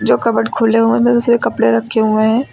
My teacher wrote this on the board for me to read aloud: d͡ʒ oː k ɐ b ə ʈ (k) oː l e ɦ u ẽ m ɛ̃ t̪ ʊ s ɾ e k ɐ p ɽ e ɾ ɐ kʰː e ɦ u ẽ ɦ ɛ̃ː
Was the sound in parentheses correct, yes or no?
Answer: no